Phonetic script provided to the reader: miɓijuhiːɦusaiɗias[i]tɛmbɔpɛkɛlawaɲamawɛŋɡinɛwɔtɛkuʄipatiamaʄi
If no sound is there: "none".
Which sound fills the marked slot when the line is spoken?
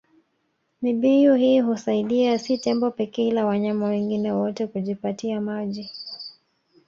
i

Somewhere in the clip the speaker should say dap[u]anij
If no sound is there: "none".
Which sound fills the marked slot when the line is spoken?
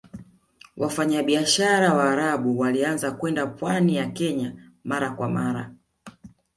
w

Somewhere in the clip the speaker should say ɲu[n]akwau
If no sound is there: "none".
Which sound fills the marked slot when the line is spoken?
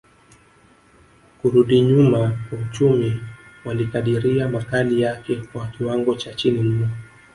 m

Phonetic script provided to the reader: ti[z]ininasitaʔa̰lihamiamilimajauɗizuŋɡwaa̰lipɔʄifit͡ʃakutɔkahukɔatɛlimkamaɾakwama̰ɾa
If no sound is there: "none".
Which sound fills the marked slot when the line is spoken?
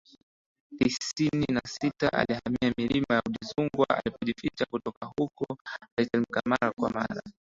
s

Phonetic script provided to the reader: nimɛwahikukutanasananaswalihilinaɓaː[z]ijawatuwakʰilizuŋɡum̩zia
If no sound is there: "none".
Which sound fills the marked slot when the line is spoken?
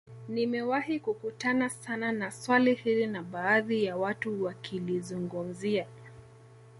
ð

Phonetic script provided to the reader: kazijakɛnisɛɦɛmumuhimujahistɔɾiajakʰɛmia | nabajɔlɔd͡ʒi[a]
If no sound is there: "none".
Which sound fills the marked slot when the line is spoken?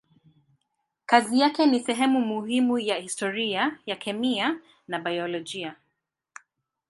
a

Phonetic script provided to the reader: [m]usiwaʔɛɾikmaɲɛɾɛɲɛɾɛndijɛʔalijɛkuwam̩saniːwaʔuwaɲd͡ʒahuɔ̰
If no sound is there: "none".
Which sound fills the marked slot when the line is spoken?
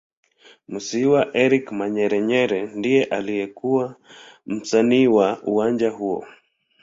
m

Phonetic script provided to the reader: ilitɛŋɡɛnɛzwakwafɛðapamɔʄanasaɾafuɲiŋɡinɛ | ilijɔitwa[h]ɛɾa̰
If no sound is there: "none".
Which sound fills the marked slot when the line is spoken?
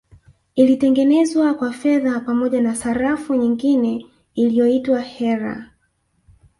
h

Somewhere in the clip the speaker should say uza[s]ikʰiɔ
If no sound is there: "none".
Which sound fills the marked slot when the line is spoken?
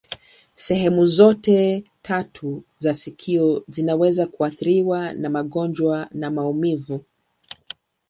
s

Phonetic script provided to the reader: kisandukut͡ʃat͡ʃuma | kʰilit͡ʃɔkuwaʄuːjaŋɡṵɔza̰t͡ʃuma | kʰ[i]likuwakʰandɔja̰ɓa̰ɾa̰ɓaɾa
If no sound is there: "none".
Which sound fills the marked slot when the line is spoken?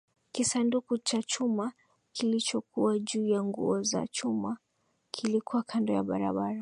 i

